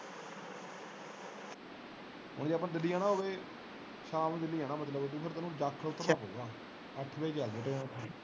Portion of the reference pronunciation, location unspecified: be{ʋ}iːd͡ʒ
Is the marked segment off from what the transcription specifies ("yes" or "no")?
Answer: yes